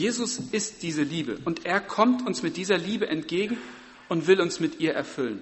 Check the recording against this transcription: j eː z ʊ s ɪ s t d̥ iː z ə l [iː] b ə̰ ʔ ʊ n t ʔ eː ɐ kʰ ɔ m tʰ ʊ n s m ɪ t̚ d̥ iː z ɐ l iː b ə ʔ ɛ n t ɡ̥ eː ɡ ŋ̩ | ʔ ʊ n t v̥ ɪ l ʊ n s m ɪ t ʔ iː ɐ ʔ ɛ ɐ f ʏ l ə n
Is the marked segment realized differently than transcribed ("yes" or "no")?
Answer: no